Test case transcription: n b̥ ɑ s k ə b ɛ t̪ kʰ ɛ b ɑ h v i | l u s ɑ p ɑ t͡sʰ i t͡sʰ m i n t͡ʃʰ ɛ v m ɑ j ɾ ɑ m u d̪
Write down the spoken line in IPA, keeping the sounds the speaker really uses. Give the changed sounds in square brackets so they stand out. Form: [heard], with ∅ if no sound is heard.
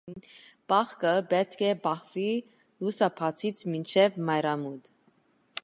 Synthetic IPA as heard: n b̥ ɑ [χ] k ə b ɛ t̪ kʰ ɛ b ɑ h v i | l u s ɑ [pʰ] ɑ t͡sʰ i t͡sʰ m i n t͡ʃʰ ɛ v m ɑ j ɾ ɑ m u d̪